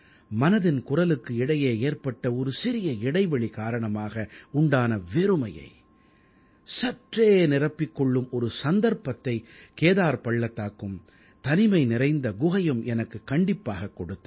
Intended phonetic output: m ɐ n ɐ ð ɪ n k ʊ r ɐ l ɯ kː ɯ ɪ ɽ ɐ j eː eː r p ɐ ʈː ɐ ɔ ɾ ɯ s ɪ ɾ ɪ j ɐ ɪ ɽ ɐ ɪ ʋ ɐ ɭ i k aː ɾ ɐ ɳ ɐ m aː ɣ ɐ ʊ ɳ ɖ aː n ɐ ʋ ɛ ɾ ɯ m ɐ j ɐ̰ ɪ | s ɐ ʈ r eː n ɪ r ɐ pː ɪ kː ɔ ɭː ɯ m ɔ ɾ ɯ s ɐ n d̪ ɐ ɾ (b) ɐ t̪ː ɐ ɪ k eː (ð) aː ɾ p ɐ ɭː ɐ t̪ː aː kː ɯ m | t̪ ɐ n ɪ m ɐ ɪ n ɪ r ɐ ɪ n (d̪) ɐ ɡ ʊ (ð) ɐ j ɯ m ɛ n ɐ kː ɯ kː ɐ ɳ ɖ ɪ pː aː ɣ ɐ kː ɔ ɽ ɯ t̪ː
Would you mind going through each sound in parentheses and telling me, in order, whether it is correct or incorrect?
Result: incorrect: p, correct, correct, incorrect: ɣ

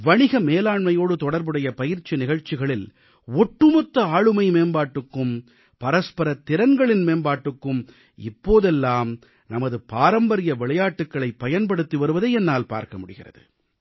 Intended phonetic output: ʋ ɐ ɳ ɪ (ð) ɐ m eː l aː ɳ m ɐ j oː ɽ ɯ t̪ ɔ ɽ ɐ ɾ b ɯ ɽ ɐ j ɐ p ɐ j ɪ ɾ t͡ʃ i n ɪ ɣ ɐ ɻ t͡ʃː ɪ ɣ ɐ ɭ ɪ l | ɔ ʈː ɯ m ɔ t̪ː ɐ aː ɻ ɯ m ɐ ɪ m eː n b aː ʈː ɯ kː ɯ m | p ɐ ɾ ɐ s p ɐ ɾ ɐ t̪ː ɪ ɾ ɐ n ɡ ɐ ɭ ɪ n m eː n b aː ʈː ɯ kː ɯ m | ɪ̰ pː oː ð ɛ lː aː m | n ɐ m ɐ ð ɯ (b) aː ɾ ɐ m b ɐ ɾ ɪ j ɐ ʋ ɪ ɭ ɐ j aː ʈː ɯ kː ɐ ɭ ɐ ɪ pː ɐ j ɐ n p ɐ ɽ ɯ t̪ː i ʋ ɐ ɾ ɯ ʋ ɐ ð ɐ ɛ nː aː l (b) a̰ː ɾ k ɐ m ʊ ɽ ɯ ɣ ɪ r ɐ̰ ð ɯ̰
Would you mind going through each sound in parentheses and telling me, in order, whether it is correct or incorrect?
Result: incorrect: ɣ, incorrect: p, incorrect: p

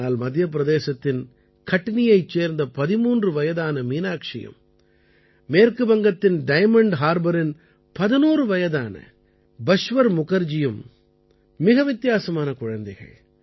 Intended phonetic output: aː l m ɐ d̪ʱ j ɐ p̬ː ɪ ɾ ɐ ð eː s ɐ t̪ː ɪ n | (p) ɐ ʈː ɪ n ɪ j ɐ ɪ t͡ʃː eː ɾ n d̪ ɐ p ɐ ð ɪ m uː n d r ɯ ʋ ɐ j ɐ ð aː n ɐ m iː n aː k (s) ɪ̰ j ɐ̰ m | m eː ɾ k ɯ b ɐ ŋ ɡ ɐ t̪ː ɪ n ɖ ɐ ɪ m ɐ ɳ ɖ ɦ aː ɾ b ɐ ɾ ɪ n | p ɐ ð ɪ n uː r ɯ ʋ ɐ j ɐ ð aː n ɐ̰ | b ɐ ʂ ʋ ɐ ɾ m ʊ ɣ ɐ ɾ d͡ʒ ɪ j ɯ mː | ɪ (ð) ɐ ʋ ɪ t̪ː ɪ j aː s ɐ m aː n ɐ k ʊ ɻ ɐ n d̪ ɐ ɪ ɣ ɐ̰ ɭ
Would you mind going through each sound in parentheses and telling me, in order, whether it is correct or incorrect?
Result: incorrect: k, incorrect: ʂ, incorrect: ɣ

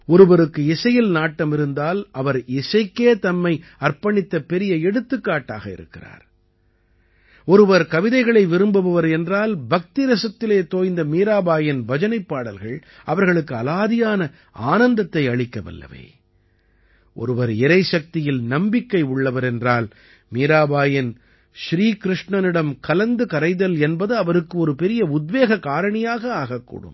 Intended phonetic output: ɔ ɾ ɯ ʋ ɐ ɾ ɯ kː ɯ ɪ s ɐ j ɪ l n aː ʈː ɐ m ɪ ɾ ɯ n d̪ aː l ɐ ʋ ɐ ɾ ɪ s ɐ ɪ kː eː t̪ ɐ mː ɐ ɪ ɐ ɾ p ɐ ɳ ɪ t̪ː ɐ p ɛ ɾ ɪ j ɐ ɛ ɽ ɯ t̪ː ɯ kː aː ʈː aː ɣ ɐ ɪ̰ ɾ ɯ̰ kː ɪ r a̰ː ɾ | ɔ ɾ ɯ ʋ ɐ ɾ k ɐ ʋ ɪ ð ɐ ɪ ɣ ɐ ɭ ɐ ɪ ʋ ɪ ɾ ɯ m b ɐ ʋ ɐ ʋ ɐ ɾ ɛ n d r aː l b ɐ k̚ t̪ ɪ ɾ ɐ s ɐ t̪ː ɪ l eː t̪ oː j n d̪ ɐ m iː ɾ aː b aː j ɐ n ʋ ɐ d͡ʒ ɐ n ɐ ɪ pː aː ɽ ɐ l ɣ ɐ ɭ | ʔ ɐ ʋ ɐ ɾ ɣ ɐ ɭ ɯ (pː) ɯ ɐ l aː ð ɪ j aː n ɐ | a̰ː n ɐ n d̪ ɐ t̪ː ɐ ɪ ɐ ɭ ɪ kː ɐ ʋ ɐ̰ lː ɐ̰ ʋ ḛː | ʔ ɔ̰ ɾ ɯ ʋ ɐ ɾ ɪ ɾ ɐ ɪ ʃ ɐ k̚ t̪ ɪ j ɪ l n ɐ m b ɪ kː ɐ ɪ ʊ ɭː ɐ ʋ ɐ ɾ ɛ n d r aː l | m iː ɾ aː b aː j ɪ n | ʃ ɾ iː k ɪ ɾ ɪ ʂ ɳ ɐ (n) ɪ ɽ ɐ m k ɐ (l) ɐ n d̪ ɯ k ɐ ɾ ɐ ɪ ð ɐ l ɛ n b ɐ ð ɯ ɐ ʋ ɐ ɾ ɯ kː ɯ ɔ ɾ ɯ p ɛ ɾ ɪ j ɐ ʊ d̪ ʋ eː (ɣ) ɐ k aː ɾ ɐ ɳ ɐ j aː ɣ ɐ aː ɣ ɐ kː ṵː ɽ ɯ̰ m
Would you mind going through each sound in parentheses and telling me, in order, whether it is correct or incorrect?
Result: incorrect: kː, correct, correct, correct

